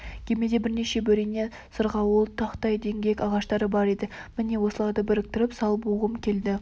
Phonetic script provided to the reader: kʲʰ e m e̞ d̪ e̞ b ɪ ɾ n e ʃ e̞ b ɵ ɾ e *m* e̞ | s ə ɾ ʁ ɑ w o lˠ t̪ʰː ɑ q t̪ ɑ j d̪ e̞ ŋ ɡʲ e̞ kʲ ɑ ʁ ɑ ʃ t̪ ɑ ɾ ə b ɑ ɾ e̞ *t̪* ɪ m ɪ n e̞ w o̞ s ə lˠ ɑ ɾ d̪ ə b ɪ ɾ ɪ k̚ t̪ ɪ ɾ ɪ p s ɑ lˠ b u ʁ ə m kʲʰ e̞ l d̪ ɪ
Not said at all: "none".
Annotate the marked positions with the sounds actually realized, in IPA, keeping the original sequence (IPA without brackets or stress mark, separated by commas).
n, d̪